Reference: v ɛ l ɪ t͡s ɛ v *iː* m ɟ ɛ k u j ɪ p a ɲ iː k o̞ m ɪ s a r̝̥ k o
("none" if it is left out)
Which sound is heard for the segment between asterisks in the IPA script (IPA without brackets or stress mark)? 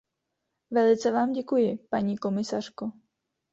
aː